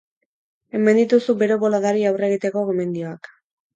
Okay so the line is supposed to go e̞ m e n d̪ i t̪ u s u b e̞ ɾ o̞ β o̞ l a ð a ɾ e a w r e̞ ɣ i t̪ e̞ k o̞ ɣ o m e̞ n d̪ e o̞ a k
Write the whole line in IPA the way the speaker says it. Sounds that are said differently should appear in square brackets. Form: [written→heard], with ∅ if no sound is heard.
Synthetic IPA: e̞ m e n d̪ i t̪ u s u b e̞ ɾ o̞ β o̞ l a ð a ɾ [e→i] a w r e̞ ɣ i t̪ e̞ k o̞ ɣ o m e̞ n d̪ [e→i] o̞ a k